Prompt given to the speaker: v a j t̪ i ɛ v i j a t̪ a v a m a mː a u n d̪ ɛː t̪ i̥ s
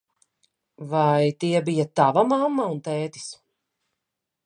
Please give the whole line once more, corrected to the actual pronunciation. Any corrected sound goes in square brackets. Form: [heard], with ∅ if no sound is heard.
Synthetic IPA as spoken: v a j t̪ i ɛ [b] i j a t̪ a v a m a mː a u n [t̪] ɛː t̪ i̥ s